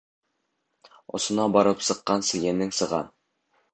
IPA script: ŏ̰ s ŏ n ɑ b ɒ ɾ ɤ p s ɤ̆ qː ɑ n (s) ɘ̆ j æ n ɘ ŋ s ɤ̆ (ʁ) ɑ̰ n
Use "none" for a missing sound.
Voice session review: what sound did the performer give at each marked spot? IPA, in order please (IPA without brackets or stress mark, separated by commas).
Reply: s, ʁ